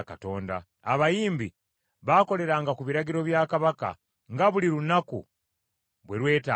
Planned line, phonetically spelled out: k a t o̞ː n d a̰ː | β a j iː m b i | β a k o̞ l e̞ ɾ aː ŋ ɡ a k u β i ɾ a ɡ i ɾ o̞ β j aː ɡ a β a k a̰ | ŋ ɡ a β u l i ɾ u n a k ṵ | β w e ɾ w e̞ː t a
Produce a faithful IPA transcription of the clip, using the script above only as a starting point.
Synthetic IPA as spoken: k a t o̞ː n d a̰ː | β a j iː m b i | β a k o̞ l e̞ ɾ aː ŋ ɡ a k u β i ɾ a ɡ i ɾ o̞ β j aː k a β a k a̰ | ŋ ɡ a β u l i ɾ u n a k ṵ | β w e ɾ w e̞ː t a